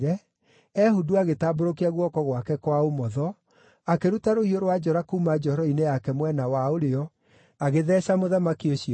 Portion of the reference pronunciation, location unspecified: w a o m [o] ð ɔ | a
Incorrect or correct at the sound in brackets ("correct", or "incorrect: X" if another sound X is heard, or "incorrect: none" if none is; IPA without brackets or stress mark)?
incorrect: ɔ